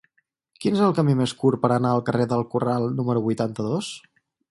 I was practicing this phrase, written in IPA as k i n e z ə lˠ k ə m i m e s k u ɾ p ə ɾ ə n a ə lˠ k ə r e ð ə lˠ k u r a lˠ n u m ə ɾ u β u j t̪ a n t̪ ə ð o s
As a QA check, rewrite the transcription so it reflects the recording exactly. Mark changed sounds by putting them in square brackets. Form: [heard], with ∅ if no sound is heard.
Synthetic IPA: k i n e z ə lˠ k ə m i m e s k u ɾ p ə ɾ ə n a ə lˠ k ə r e ð ə lˠ k u r a lˠ n u m ə ɾ u β u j t̪ a n t̪ ə ð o s